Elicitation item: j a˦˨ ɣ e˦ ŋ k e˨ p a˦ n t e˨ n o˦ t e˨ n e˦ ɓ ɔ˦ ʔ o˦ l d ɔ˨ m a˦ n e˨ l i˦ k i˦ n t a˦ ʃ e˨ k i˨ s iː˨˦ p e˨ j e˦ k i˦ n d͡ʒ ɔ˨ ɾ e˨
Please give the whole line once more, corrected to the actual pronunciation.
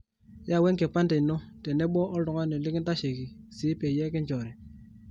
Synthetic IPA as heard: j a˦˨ w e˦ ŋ k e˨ p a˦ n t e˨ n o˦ t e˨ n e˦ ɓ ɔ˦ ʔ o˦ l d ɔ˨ ŋ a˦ n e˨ l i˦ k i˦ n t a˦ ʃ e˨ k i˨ s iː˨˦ p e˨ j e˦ k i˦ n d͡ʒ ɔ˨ ɾ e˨